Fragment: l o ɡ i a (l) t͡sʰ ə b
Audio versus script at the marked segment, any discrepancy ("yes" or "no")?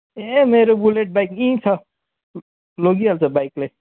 no